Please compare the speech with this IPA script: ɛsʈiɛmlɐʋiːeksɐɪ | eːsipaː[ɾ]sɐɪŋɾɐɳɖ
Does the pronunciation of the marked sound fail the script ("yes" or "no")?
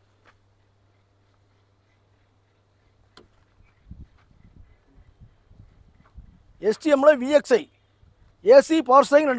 no